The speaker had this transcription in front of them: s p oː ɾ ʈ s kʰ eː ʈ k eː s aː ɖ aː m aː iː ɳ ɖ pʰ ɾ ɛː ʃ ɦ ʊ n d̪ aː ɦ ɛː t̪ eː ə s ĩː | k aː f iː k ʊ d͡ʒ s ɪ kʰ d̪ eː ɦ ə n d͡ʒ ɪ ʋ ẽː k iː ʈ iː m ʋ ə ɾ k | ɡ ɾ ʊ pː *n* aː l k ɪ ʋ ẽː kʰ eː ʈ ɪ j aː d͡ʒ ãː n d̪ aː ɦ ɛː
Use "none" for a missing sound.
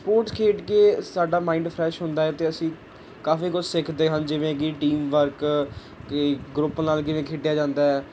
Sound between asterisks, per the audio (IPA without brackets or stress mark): n